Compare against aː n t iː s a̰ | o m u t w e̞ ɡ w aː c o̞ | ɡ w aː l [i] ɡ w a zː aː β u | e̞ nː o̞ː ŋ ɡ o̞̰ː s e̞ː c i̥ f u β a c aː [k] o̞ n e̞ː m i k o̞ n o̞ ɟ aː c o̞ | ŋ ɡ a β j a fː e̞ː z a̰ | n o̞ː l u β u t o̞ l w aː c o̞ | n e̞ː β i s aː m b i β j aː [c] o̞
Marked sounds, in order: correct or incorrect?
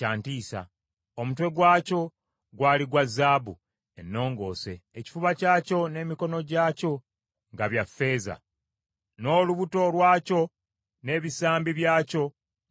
correct, incorrect: c, correct

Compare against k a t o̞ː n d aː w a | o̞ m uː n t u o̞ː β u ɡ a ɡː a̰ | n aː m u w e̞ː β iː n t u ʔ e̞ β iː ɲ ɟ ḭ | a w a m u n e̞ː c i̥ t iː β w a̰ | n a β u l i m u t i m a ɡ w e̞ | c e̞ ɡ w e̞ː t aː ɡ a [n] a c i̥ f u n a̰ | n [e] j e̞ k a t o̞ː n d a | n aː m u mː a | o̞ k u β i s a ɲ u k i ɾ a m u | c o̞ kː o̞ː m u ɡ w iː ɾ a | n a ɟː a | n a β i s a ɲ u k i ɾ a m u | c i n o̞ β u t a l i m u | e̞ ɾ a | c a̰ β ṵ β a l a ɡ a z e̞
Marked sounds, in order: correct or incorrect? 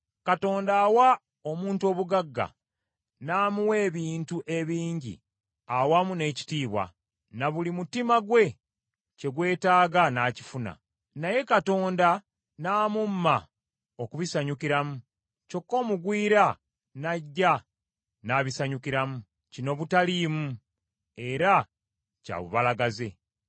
correct, incorrect: a

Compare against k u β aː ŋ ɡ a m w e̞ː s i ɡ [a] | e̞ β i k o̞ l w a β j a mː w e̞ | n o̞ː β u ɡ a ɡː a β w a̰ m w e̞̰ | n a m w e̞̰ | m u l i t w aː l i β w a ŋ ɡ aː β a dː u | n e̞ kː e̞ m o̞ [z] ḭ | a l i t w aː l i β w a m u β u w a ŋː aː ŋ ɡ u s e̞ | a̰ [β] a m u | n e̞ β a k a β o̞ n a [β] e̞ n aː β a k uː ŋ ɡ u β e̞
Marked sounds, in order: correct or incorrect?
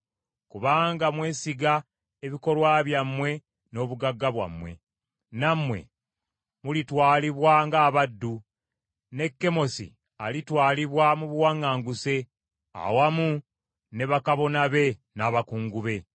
correct, incorrect: s, incorrect: w, correct

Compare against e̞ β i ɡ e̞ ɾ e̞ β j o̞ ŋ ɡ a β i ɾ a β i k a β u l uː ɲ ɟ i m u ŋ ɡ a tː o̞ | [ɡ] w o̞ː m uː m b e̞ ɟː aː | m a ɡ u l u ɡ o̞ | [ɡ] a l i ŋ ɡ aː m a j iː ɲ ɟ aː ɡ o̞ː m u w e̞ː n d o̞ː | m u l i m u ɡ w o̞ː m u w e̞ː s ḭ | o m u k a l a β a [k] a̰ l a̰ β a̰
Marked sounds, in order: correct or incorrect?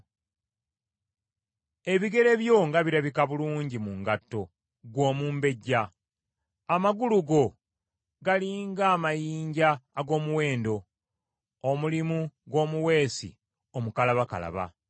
correct, correct, correct

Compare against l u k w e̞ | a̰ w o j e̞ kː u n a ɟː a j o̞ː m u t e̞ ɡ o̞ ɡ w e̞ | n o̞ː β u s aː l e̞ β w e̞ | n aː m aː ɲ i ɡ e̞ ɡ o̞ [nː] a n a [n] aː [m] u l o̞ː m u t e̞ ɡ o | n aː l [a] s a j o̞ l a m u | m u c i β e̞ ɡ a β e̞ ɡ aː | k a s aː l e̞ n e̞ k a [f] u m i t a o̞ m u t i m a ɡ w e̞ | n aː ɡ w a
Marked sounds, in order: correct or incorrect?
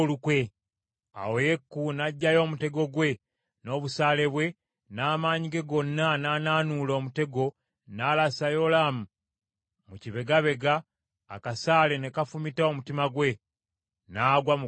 correct, correct, incorrect: n, correct, correct

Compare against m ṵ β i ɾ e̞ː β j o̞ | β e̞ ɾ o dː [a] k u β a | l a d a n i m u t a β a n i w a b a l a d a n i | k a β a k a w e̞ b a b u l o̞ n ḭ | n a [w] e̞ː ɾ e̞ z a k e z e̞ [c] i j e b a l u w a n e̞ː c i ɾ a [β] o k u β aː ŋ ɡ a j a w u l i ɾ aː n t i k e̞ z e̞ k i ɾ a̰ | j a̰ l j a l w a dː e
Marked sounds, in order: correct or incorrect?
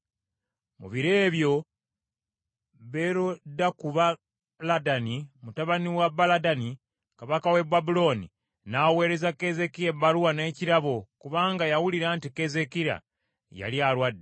correct, correct, incorrect: k, correct

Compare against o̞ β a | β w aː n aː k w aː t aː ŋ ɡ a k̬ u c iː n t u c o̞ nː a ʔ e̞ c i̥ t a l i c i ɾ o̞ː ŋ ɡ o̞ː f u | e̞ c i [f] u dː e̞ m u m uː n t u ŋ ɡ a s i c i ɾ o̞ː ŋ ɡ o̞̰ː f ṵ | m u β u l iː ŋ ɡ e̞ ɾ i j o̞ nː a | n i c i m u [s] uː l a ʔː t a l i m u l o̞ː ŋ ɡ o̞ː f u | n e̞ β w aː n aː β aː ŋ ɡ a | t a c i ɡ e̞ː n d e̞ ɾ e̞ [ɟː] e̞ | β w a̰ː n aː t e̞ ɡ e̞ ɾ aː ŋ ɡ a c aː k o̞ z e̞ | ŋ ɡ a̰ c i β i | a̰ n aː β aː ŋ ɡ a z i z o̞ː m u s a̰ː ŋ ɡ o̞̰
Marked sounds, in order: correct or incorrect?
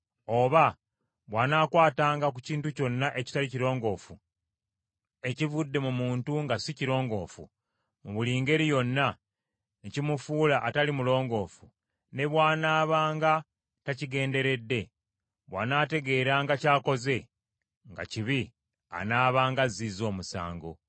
incorrect: v, incorrect: f, incorrect: dː

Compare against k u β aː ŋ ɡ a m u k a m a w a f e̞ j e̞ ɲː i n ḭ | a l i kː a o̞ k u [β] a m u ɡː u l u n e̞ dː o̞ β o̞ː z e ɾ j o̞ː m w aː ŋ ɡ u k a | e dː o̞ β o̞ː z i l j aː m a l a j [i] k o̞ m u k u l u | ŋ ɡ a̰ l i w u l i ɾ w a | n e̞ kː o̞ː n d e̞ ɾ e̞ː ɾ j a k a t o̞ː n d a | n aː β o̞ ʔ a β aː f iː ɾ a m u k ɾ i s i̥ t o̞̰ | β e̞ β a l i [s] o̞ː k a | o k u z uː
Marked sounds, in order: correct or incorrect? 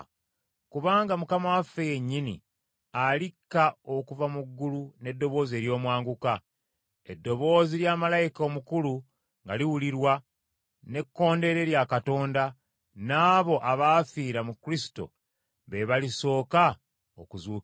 incorrect: v, correct, correct

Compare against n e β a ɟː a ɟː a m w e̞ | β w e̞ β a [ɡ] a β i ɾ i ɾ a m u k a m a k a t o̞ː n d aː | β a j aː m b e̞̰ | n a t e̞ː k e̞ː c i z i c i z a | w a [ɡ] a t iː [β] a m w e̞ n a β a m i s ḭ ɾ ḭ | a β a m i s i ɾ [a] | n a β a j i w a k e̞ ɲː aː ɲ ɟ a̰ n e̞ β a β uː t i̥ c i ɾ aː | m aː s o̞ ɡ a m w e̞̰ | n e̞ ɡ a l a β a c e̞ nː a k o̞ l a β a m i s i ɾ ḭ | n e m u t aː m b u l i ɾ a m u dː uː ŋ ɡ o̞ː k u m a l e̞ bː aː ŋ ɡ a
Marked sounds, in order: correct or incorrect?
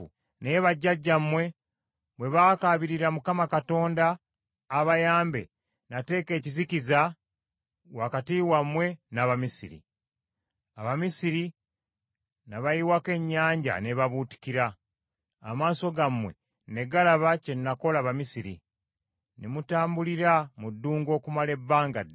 incorrect: k, incorrect: k, incorrect: w, incorrect: i

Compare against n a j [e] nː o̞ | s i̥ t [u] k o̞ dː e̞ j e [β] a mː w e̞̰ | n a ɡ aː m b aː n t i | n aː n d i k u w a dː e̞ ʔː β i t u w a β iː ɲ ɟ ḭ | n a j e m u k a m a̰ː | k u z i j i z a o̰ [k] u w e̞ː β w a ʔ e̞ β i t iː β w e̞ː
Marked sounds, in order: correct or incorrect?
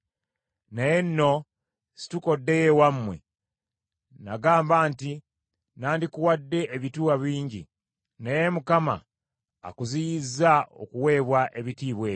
correct, correct, incorrect: w, correct

